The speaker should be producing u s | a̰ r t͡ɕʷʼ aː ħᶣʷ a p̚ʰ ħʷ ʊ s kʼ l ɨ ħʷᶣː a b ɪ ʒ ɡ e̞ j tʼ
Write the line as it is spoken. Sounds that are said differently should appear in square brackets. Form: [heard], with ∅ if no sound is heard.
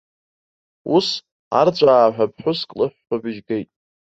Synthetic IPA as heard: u s | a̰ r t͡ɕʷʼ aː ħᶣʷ a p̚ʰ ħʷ ʊ s kʼ l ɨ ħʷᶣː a b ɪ ʒ ɡ e̞ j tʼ